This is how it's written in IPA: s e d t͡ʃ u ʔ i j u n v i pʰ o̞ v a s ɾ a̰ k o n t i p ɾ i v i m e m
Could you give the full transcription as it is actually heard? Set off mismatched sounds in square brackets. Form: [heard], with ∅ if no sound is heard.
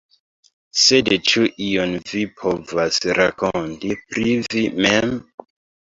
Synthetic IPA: s e d t͡ʃ u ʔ i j [o] n v i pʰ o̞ v a s ɾ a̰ k o n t i p ɾ i v i m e m